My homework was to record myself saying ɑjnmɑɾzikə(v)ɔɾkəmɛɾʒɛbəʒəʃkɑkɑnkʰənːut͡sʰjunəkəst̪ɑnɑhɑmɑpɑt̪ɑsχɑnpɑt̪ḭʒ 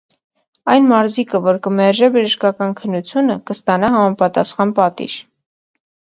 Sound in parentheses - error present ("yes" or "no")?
no